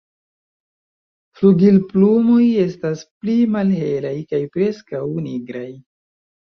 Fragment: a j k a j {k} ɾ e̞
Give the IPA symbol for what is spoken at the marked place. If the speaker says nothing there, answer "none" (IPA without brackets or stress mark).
p